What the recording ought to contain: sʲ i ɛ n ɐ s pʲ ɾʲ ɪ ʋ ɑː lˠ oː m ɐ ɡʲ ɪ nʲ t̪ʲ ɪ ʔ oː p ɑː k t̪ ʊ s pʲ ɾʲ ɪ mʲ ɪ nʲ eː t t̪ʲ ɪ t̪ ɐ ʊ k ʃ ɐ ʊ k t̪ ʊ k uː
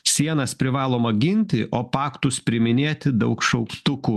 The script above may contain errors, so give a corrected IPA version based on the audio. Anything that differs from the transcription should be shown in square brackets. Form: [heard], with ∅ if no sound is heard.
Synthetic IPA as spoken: sʲ i ɛ n ɐ s pʲ ɾʲ ɪ ʋ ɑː lˠ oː m ɐ ɡʲ ɪ nʲ t̪ʲ ɪ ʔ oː p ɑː k t̪ ʊ s pʲ ɾʲ ɪ mʲ ɪ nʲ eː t t̪ʲ ɪ [d̪] ɐ ʊ k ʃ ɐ ʊ k t̪ ʊ k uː